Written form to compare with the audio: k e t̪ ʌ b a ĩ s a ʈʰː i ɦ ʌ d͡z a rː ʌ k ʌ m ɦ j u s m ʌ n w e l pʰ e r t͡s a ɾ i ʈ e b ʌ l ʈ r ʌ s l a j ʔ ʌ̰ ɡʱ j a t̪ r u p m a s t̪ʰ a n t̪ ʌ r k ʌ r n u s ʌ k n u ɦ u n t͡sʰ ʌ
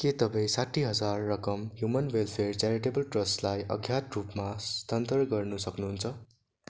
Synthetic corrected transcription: k e t̪ ʌ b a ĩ s a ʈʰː i ɦ ʌ d͡z a rː ʌ k ʌ m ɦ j u m ʌ n w e l pʰ e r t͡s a ɾ i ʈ e b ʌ l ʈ r ʌ s l a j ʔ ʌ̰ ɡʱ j a t̪ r u p m a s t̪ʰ ʌ n t̪ ʌ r ɡ ʌ r n u s ʌ k n u ɦ u n t͡sʰ ʌ